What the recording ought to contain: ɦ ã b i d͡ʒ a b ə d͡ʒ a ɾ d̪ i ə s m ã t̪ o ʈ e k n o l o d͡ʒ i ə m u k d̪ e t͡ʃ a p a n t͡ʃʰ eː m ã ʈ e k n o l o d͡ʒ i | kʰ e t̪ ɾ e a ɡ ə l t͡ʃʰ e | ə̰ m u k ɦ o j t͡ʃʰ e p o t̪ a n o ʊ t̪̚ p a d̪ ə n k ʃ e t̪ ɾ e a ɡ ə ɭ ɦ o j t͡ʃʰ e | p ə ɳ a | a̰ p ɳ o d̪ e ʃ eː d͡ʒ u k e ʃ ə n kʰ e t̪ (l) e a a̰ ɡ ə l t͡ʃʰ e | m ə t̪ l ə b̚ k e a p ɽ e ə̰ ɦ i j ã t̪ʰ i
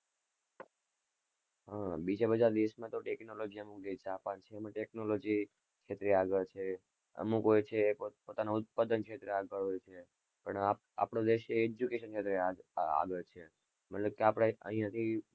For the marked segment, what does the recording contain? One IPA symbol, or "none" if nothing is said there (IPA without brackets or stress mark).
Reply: ɾ